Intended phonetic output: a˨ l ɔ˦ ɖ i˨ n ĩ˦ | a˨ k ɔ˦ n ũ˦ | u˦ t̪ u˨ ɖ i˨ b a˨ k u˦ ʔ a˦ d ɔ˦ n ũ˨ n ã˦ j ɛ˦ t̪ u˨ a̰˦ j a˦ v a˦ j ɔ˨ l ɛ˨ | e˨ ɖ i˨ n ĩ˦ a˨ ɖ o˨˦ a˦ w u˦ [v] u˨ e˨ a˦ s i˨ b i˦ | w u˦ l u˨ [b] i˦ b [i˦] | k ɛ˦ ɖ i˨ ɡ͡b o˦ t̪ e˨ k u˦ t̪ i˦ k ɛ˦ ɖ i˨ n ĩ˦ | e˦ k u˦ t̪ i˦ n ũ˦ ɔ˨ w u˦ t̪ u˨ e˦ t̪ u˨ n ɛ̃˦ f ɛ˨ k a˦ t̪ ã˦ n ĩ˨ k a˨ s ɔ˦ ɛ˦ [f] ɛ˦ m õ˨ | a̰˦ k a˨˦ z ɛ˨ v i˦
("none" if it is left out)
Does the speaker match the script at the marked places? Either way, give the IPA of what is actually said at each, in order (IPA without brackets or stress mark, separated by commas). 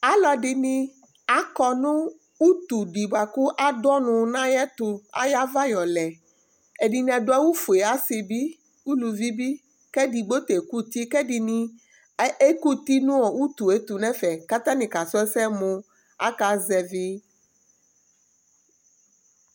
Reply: f, v, i˦, s